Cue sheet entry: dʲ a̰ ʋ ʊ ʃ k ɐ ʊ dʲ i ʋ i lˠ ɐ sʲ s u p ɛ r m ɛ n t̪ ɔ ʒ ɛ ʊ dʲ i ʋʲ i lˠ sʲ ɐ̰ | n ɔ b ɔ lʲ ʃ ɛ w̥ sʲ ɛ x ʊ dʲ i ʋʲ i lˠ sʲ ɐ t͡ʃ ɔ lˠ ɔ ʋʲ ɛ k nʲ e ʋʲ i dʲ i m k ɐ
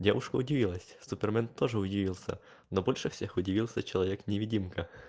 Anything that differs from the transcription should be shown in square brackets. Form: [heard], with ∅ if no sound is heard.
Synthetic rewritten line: dʲ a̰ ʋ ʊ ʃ k ɐ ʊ dʲ i ʋ i lˠ ɐ sʲ s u p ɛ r m ɛ n t̪ ɔ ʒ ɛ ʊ dʲ i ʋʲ i lˠ sʲ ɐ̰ | n ɔ b ɔ lʲ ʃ ɛ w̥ sʲ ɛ x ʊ dʲ i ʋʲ i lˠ sʲ ɐ t͡ʃ ɔ lˠ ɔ ʋʲ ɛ k nʲ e ʋʲ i dʲ i m k ɐ